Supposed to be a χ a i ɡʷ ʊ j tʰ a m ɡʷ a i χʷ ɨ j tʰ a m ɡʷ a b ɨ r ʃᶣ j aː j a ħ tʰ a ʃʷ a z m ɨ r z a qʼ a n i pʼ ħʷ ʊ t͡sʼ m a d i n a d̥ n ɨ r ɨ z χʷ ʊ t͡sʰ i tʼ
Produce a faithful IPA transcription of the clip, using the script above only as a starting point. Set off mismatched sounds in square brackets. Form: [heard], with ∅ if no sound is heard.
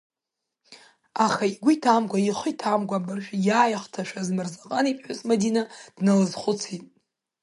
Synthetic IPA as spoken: a χ a i ɡʷ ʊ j tʰ a m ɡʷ a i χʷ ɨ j tʰ a m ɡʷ a b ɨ r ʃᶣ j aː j a [χ] tʰ a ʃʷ a z m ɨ r z a qʼ a n i pʼ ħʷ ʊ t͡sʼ m a d i n a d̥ n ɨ [l] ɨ z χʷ ʊ t͡sʰ i tʼ